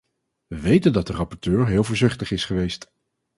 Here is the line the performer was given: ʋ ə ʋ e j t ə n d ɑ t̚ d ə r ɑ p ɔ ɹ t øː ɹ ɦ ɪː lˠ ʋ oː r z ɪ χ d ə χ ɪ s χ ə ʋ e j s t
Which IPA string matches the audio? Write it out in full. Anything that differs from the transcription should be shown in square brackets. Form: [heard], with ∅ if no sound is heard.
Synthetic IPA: ʋ ə ʋ e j t ə n d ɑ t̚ d ə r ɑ p ɔ ɹ t øː ɹ ɦ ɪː lˠ [v] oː [ɹ] z ɪ χ [t] ə χ ɪ s χ ə ʋ e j s t